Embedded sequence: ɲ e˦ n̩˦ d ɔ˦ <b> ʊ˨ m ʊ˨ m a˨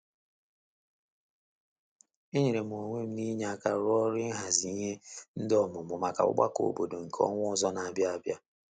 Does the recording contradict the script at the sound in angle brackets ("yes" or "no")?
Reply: yes